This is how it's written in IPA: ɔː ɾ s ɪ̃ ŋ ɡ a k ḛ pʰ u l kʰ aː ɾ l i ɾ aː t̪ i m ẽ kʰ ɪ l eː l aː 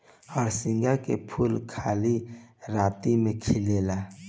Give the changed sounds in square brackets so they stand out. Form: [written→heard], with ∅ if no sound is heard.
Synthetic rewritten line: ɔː ɾ s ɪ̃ ŋ ɡ a k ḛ pʰ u l kʰ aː [ɾ→∅] l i ɾ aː t̪ i m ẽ kʰ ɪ l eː l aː